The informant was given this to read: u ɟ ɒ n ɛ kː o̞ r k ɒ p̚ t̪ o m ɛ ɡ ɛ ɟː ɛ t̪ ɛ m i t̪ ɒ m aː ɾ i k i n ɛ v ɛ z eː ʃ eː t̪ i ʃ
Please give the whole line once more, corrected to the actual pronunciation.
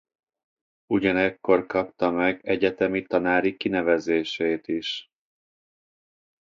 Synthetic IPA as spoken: u ɟ ɒ n ɛ kː o̞ r k ɒ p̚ t̪ ɒ m ɛ ɡ ɛ ɟ ɛ t̪ ɛ m i t̪ ɒ n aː ɾ i k i n ɛ v ɛ z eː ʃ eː t̪ i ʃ